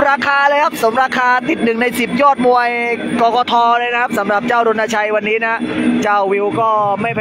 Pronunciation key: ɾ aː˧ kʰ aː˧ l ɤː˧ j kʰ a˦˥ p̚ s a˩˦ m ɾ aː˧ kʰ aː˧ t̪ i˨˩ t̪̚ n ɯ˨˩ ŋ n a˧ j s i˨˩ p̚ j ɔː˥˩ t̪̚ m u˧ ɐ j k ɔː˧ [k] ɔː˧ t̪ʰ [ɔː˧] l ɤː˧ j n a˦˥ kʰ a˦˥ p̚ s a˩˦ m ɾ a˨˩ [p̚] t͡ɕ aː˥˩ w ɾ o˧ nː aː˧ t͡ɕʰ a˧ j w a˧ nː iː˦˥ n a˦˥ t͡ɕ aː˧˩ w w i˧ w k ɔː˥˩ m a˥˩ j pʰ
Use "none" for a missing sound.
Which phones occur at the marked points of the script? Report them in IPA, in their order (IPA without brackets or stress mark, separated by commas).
k, ɔː˧, p̚